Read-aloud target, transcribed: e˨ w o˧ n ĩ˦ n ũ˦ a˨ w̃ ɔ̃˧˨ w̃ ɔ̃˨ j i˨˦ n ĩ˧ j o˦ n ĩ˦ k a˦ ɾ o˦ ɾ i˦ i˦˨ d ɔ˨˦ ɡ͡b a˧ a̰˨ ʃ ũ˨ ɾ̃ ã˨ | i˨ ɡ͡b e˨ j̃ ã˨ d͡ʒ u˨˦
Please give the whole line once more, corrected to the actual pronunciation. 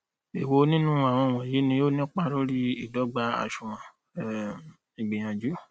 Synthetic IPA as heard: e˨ w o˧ n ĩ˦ n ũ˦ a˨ w̃ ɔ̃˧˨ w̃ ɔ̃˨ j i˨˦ n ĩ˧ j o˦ n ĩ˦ k͡p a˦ ɾ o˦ ɾ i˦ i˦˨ d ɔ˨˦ ɡ͡b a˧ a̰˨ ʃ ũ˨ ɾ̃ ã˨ | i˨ ɡ͡b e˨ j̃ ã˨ d͡ʒ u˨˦